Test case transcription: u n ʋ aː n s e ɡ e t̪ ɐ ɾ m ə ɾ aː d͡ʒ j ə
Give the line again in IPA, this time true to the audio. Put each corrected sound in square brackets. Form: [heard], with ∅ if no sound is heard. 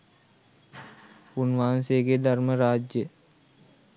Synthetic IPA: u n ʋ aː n s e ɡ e [d̪] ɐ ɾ m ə ɾ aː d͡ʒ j ə